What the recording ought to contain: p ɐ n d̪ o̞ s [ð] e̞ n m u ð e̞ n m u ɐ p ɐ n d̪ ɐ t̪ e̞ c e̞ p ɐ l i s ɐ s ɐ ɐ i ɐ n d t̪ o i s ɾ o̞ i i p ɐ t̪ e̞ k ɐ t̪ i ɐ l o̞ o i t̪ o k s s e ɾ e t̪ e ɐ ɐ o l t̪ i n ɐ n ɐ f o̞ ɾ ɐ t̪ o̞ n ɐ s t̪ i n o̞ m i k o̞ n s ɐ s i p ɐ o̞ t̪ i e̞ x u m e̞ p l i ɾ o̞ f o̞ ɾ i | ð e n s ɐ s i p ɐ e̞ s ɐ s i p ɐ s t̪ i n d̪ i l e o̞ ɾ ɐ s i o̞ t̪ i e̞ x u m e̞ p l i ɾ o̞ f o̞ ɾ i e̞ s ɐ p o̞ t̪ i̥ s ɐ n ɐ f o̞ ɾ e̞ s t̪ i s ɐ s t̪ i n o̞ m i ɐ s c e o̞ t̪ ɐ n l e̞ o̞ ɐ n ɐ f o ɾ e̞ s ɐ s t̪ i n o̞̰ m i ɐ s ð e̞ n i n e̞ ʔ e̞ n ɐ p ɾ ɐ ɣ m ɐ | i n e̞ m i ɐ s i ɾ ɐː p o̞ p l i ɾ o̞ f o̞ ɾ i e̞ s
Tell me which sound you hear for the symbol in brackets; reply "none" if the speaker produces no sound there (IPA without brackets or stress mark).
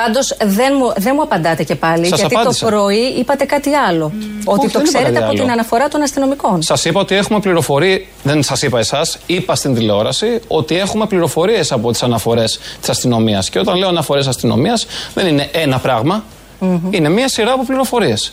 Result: ð